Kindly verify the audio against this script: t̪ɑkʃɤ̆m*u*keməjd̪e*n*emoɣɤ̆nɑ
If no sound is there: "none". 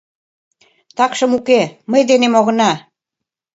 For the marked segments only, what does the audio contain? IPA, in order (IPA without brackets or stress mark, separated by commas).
u, n